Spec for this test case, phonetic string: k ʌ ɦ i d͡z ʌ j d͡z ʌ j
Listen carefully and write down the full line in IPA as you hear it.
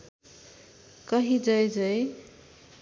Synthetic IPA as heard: k ʌ ɦ i d͡z ʌ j d͡z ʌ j